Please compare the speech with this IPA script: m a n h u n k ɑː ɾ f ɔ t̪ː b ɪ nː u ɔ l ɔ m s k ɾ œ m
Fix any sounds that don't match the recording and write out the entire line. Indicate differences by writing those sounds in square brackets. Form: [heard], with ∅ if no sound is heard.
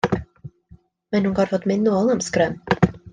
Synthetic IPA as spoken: m [ɛ] n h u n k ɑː ɾ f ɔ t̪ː [m] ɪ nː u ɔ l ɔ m s k ɾ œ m

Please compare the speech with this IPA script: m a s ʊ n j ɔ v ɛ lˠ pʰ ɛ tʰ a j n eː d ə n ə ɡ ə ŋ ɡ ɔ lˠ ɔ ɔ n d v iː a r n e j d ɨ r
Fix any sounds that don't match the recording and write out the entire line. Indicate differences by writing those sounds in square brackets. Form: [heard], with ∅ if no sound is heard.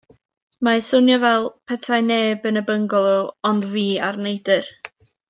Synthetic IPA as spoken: m a s ʊ n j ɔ v ɛ lˠ pʰ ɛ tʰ a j n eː [b] ə n ə [b] ə ŋ ɡ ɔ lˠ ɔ ɔ n d v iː a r n e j d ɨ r

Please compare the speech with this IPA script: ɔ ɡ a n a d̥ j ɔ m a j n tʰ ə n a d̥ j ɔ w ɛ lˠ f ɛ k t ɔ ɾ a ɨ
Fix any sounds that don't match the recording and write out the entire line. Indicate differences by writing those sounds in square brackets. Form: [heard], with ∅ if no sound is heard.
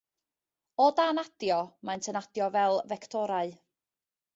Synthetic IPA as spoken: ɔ [d] a n a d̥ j ɔ m a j n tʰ ə n a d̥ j ɔ [v] ɛ lˠ [v] ɛ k [tʰ] ɔ ɾ a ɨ

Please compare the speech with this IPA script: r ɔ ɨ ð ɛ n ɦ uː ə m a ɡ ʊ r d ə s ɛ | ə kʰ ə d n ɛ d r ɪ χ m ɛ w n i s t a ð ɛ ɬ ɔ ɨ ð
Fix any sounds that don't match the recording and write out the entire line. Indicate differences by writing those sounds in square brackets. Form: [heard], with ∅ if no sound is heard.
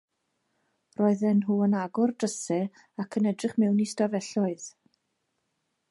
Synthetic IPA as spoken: r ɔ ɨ ð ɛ n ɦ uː ə [n] a ɡ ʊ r d ə s ɛ | [a] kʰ ə [∅] n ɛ d r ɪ χ m ɛ w n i s t a [v] ɛ ɬ ɔ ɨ ð

